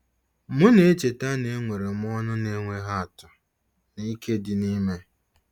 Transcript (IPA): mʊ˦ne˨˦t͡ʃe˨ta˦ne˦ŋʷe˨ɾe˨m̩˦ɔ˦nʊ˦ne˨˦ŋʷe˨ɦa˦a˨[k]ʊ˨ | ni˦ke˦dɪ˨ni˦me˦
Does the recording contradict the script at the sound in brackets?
yes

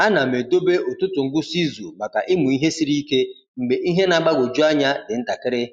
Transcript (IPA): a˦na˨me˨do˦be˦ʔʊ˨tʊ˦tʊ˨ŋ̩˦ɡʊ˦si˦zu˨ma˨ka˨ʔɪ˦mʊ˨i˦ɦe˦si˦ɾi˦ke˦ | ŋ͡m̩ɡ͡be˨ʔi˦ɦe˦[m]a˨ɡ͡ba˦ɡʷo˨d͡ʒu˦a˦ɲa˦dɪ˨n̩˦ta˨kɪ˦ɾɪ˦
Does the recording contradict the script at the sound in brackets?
yes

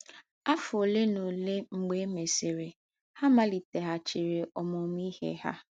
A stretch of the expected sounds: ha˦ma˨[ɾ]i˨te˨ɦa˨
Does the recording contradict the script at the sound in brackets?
yes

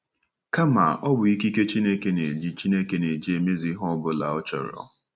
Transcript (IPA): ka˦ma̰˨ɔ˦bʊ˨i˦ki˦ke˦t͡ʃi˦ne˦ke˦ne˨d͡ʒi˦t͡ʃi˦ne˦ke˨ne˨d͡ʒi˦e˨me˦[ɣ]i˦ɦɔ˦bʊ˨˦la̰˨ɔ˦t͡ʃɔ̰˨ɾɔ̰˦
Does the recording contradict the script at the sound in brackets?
yes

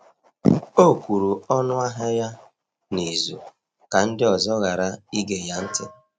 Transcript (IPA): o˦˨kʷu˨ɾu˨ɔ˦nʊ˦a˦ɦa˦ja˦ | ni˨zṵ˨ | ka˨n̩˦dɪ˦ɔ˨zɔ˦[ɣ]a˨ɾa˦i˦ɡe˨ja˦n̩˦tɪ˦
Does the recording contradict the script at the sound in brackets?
no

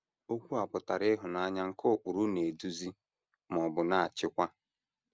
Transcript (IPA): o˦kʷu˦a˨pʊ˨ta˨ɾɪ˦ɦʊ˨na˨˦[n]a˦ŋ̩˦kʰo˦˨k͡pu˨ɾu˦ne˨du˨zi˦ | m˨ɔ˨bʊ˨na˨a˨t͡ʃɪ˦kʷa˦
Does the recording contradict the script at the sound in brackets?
yes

